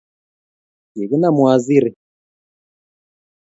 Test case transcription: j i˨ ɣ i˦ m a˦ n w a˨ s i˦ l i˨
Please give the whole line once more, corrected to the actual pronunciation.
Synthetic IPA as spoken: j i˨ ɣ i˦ n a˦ m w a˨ z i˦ ɾ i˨